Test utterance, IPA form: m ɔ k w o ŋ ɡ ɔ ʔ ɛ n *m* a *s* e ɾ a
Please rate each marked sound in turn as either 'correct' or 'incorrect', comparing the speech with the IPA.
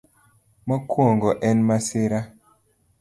correct, correct

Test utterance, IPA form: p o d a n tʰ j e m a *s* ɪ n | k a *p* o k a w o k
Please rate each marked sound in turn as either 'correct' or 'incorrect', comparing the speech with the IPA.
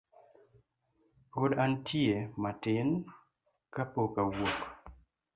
incorrect: t, correct

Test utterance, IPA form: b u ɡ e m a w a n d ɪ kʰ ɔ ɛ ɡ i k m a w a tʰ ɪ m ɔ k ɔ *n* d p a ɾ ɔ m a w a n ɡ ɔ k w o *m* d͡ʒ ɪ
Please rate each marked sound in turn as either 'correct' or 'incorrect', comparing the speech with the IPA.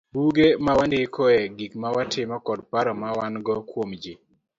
incorrect: none, correct

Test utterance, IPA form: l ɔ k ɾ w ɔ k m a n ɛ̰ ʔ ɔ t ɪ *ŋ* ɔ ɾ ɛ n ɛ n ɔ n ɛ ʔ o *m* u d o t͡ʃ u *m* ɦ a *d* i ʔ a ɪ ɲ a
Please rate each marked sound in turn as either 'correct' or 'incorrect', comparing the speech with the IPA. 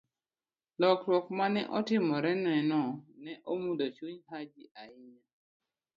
incorrect: m, correct, incorrect: ɲ, incorrect: d͡ʒ

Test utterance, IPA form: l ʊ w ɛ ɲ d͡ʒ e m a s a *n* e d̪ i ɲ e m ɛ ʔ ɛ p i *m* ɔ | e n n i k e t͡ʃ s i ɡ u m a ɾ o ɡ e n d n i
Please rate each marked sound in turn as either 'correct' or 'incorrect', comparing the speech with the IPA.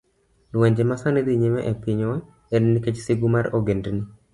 correct, incorrect: ɲ

